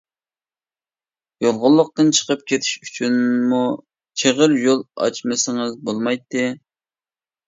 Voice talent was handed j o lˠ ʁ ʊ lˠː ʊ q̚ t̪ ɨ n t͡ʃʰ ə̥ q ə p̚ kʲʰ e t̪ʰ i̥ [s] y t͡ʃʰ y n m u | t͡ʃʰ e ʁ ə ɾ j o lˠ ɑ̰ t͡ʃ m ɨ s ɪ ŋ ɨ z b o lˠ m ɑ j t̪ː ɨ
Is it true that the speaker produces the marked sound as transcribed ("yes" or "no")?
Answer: no